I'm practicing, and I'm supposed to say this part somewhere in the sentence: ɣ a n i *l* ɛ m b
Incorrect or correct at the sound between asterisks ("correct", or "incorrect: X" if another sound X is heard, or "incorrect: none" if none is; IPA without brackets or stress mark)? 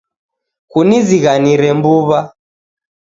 incorrect: ɾ